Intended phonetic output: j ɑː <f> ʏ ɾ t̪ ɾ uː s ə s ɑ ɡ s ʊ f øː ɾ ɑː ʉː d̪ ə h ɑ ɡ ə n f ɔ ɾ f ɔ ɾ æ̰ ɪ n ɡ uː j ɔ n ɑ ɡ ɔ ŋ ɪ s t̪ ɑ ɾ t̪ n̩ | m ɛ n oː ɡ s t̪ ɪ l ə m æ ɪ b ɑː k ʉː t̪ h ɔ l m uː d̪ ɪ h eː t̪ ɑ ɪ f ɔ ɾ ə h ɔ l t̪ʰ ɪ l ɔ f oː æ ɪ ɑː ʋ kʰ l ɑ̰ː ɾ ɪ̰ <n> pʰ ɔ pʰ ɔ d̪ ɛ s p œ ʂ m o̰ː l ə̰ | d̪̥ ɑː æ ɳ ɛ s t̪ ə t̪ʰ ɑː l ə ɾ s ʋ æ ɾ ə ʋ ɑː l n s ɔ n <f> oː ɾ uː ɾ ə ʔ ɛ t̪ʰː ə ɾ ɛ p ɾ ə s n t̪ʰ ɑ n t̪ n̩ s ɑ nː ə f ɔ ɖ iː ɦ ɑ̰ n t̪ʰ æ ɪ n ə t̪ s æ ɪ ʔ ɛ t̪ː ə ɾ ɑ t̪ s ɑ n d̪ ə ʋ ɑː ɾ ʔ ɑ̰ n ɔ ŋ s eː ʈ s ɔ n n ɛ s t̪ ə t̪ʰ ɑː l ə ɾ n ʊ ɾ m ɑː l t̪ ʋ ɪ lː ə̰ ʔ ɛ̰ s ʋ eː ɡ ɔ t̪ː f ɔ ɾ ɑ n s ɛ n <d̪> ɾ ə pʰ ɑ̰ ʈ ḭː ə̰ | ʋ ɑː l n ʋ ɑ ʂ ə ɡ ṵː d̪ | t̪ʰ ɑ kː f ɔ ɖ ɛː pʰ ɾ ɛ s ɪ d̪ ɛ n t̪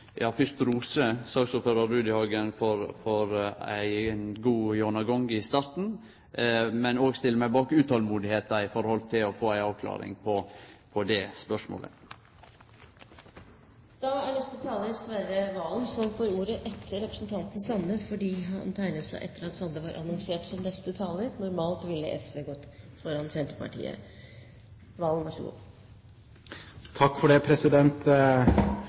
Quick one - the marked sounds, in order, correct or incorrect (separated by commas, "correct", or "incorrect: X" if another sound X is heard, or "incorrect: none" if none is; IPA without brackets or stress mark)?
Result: correct, incorrect: ŋ, correct, incorrect: t̪